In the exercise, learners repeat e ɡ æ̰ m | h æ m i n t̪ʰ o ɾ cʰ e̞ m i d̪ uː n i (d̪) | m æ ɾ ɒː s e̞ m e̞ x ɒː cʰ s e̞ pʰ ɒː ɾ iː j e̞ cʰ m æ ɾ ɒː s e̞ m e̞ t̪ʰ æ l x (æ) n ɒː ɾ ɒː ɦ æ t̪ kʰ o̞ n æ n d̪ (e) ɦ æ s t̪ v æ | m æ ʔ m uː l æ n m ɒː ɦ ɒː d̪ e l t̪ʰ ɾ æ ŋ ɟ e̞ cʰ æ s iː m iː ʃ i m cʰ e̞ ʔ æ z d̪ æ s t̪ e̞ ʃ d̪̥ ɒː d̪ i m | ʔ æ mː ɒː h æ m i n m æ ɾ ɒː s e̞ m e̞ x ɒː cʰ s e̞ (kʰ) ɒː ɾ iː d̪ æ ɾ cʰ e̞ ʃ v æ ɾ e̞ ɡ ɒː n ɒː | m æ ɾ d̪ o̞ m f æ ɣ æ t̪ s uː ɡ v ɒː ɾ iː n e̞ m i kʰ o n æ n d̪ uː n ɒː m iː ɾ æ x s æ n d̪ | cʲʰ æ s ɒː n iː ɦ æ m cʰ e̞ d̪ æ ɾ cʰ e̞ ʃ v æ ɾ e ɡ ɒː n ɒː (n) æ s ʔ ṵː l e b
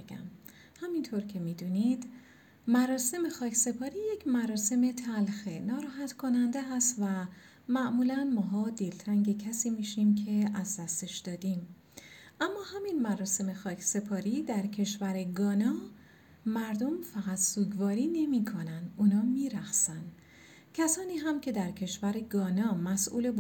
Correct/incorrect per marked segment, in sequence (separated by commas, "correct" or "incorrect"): correct, incorrect, correct, incorrect, incorrect